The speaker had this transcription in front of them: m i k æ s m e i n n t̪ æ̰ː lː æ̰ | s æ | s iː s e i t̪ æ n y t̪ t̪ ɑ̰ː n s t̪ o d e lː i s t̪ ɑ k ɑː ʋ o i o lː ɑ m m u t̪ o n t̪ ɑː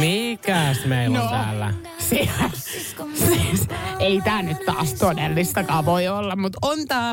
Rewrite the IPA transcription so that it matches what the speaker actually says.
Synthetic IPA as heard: m i k æ s m e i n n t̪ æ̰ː lː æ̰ | s i | s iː s e i t̪ æː n y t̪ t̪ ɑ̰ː s t̪ o d e lː i s t̪ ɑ k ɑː ʋ o i o lː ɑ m m u t̪ o n t̪ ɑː